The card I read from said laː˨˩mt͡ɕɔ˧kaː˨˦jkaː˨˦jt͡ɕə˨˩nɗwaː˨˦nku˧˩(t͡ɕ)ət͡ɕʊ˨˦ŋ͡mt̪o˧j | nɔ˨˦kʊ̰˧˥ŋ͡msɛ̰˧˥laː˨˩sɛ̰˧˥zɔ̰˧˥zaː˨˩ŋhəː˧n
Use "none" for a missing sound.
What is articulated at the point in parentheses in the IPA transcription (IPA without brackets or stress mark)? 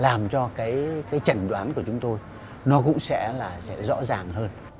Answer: none